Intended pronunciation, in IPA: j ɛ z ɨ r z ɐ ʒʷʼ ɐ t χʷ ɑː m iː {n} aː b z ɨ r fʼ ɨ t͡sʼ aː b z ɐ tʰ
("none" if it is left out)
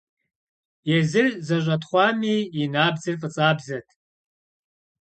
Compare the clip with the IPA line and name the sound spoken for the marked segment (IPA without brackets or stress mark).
n